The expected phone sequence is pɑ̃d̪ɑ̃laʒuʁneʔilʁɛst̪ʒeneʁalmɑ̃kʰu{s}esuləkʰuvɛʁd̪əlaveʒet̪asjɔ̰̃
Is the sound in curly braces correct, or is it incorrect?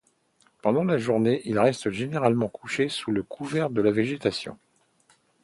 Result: incorrect